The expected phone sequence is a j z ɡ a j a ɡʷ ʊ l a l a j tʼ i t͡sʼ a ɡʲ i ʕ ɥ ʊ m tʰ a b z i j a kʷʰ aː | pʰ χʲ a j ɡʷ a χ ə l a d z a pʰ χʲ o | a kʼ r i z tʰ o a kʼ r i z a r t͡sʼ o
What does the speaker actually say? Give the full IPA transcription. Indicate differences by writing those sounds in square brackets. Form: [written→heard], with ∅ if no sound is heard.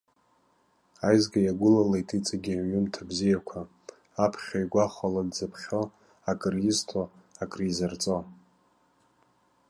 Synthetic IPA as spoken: a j z ɡ a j a ɡʷ ʊ l a l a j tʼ i t͡sʼ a ɡʲ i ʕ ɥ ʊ m tʰ a b z i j a kʷʰ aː | pʰ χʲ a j ɡʷ a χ [ə→a] l a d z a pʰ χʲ o | a kʼ r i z tʰ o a kʼ r i z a r t͡sʼ o